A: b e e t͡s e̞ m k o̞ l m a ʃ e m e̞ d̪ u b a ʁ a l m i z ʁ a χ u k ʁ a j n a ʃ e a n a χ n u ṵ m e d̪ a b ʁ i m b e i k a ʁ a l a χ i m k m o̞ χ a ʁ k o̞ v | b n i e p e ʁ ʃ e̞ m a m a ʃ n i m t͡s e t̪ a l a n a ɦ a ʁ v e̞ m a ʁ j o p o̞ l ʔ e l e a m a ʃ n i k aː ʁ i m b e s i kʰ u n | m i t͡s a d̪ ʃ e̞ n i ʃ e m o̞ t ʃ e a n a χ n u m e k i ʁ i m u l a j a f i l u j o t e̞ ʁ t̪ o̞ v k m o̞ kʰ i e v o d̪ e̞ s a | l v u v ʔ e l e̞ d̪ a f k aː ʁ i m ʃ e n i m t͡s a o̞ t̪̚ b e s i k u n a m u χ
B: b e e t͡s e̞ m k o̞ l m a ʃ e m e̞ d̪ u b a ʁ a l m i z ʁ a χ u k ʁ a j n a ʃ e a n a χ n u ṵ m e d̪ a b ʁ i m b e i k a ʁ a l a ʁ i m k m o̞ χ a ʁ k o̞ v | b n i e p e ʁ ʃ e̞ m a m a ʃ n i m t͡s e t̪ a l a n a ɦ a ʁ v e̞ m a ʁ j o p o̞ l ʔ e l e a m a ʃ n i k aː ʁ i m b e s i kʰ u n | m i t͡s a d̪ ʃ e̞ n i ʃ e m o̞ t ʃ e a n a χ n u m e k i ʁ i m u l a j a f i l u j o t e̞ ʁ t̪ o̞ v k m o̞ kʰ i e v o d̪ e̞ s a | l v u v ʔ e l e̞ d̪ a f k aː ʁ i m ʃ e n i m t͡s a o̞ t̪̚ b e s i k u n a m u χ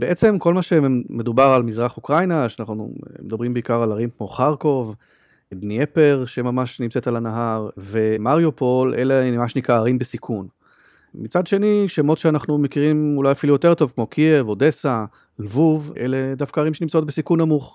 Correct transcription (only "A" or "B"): B